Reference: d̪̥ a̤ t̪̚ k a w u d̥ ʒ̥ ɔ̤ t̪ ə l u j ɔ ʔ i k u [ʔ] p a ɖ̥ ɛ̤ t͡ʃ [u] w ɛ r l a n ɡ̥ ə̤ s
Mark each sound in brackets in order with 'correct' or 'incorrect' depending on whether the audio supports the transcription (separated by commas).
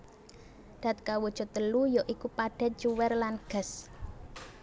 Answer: incorrect, correct